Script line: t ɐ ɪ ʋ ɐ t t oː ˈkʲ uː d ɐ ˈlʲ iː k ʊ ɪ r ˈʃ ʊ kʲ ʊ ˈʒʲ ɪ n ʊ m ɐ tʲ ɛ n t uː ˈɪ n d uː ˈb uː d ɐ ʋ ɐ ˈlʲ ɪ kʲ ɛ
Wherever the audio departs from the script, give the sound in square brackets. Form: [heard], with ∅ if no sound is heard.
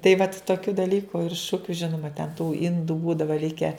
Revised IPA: t ɐ ɪ ʋ ɐ t t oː ˈkʲ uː d ɐ ˈlʲ iː k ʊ ɪ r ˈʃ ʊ kʲ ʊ ˈʒʲ ɪ n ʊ m ɐ tʲ ɛ n t uː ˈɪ n d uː ˈb uː d ɐ ʋ ɐ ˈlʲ ɪ kʲ ɛ